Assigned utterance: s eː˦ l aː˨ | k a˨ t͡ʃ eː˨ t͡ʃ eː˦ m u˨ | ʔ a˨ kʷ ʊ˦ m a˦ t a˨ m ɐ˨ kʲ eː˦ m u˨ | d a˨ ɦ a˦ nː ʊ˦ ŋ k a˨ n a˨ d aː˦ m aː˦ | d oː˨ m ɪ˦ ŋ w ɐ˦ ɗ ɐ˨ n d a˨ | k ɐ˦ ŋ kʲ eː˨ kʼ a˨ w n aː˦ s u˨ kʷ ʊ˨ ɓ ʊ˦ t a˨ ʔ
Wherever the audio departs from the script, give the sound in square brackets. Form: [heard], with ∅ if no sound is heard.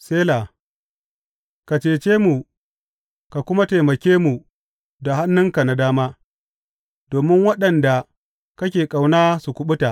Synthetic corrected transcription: s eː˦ l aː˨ | k a˨ t͡ʃ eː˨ t͡ʃ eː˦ m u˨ | [k] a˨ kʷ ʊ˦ m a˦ t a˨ m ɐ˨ kʲ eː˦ m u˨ | d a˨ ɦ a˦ nː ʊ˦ ŋ k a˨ n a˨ d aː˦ m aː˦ | d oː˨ m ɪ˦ ŋ w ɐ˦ ɗ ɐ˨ n d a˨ | k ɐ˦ [∅] kʲ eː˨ kʼ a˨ w n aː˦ s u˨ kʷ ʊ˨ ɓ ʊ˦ t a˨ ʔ